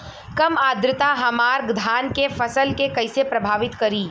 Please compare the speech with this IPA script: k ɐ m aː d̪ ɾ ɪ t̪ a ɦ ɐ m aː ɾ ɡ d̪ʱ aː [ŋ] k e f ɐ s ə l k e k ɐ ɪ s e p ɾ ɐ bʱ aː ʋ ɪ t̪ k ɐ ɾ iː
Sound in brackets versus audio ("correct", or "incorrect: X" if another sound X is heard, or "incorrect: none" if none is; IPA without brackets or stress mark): incorrect: n